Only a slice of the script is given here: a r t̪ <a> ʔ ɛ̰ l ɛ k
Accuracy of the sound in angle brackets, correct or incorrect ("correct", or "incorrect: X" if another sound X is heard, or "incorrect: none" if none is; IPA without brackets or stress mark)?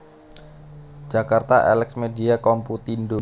correct